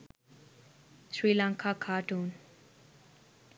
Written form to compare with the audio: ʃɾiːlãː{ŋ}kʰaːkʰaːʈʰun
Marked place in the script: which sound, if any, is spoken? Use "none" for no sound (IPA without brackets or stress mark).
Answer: ŋ